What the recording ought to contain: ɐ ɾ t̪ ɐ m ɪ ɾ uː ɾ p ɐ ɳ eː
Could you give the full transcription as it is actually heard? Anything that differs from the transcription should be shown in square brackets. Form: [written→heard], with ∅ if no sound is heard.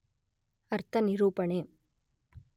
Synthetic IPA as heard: ɐ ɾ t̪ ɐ [m→n] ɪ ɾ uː [ɾ→∅] p ɐ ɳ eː